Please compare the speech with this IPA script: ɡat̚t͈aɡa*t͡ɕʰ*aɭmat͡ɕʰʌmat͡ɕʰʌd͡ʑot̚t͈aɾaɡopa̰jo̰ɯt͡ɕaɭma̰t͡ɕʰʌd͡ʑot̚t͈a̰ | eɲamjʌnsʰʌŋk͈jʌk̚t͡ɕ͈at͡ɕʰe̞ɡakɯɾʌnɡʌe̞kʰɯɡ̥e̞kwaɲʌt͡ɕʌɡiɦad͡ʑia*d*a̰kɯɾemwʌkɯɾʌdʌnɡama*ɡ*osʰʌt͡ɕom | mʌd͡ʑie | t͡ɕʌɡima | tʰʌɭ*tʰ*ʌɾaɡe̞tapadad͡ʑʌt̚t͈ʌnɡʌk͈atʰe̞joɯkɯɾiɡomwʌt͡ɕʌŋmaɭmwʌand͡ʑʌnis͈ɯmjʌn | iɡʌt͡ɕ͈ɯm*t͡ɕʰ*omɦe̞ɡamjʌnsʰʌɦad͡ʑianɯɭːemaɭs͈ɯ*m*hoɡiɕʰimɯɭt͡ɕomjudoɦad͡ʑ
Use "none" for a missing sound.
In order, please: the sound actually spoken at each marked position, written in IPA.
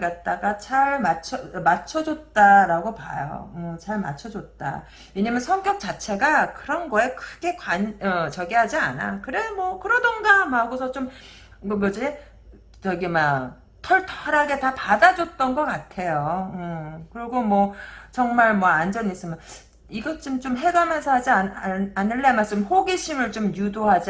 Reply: t͡ɕ, n, ɡ, tʰ, t͡ɕ, m

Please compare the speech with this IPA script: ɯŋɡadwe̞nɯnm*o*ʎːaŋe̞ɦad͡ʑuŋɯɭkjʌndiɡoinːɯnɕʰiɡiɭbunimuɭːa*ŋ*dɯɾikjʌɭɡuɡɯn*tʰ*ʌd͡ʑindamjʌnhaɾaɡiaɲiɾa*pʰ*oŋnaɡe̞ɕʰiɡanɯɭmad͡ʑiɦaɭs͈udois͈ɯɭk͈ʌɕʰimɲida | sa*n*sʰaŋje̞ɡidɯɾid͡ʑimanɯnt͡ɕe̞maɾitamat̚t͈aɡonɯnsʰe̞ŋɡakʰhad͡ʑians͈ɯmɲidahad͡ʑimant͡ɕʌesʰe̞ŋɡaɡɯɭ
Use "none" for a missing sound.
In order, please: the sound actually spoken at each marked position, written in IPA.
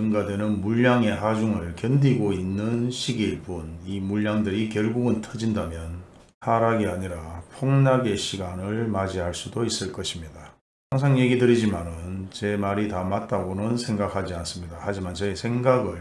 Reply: u, ŋ, tʰ, pʰ, ŋ

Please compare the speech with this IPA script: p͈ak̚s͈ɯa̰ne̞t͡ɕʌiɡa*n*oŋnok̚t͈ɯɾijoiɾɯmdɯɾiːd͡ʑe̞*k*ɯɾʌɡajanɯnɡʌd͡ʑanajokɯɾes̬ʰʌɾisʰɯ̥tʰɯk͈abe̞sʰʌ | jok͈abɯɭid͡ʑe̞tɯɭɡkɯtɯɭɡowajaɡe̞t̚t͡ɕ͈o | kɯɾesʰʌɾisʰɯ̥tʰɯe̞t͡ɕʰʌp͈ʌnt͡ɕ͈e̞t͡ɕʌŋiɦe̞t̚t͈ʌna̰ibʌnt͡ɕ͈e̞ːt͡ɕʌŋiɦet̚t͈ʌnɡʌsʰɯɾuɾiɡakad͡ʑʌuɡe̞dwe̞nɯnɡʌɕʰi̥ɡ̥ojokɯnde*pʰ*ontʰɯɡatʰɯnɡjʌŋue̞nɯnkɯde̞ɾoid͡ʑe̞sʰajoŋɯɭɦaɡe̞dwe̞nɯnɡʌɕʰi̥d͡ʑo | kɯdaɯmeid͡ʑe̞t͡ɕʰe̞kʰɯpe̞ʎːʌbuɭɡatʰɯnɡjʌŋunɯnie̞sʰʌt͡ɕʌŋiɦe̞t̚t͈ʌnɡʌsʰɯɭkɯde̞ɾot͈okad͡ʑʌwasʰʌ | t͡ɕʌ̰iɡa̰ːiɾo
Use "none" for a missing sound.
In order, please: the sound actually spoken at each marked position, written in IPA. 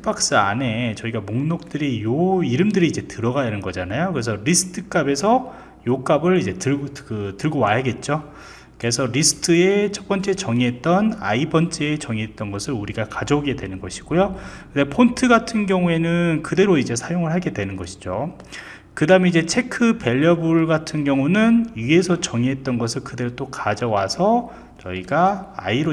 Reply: m, t, pʰ

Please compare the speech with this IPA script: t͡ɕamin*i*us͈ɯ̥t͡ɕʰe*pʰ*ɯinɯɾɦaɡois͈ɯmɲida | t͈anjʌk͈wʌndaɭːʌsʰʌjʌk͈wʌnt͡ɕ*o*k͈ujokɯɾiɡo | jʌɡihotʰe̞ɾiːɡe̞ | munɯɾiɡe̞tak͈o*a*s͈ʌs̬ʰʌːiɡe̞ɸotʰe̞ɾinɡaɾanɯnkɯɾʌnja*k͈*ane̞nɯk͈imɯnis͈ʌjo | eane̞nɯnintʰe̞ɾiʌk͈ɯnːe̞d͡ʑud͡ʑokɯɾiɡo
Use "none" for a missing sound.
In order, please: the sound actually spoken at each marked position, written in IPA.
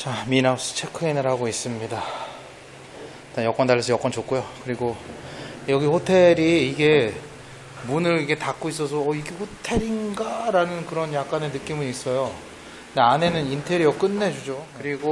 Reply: a, kʰ, o, i, k͈

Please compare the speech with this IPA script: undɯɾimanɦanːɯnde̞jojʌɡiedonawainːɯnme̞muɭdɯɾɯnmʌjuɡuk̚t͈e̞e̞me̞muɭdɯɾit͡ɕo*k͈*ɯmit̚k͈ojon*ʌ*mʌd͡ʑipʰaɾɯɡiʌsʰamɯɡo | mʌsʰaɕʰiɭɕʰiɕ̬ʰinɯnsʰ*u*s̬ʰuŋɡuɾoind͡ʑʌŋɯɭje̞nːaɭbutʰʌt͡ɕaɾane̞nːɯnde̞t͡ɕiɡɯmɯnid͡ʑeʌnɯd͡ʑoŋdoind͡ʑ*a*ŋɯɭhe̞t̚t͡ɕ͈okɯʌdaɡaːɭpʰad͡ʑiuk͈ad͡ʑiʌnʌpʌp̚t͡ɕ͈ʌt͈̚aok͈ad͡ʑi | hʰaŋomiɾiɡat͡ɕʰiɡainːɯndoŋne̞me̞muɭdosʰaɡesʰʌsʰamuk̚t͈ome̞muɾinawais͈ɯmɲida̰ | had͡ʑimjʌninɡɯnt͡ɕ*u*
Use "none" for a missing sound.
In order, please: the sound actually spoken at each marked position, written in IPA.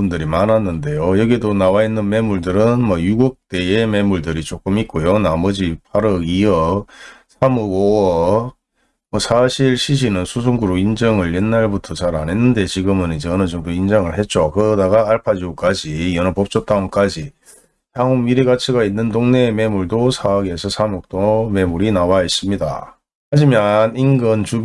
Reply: k͈, a, u, ʌ, u

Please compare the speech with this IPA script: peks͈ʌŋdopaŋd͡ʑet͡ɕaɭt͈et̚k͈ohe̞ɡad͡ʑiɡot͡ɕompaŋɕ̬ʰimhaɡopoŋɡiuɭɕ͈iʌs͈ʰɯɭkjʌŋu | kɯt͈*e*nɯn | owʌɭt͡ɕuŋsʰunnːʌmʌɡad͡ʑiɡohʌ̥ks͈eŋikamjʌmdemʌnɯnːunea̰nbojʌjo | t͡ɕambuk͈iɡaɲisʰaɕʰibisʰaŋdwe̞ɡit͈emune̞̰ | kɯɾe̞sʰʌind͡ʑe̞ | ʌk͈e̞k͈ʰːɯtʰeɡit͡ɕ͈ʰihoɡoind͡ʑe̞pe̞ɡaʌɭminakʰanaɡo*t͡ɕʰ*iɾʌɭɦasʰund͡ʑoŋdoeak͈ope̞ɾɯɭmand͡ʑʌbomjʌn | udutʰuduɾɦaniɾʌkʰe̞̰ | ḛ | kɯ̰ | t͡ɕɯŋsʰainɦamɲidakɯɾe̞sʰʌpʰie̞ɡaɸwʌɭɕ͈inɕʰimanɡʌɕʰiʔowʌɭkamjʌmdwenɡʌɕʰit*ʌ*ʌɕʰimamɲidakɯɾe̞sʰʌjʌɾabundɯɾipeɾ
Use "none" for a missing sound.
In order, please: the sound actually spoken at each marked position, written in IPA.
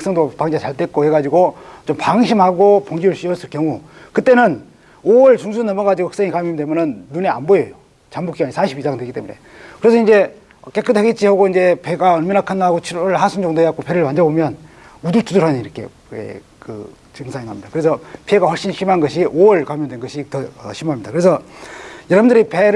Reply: e, t͡ɕʰ, ʌ

